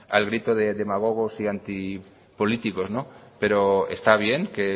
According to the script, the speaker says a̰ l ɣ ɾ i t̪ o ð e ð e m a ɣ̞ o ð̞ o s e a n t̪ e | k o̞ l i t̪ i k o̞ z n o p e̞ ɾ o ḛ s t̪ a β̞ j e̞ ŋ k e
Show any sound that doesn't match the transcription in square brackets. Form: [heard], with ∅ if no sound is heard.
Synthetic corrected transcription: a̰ l ɣ ɾ i t̪ o ð e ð e m a ɣ̞ o [ɣ̞] o s [i] a n t̪ [i] | [p] o̞ l i t̪ i k o̞ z n o p e̞ ɾ o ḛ s t̪ a β̞ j e̞ ŋ k e